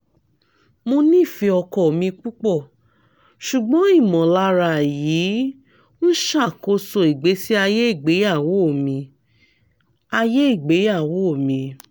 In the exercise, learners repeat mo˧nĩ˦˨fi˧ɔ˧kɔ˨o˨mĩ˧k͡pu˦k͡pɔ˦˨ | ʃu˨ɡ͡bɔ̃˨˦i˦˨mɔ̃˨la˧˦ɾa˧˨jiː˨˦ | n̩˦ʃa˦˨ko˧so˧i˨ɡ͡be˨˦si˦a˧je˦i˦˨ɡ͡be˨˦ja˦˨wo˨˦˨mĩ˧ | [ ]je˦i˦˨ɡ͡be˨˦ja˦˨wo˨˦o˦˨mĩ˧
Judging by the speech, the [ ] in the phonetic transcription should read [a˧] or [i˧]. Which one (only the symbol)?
a˧